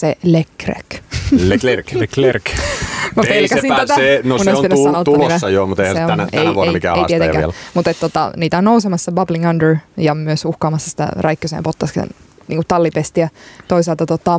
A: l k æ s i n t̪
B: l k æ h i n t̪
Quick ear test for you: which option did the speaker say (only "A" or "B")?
A